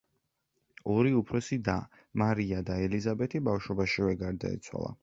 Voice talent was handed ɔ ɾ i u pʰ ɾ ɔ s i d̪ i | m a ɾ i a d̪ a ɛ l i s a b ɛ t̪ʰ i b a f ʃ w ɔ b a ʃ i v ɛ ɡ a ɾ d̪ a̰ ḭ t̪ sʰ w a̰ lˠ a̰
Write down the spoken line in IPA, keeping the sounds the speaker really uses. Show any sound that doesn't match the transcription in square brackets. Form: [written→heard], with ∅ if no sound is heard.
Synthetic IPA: ɔ ɾ i u pʰ ɾ ɔ s i d̪ [i→a] | m a ɾ i a d̪ a ɛ l i [s→z] a b ɛ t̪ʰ i b a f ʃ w ɔ b a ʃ i v ɛ ɡ a ɾ d̪ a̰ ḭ t̪ sʰ w a̰ lˠ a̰